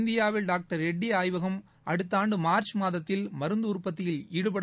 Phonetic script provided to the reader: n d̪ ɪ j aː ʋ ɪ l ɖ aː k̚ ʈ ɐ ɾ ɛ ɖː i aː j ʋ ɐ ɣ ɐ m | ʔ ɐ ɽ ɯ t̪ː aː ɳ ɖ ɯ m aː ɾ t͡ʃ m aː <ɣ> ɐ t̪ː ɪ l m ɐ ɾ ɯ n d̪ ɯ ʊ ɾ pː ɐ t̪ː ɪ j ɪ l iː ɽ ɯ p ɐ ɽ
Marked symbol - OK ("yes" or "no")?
no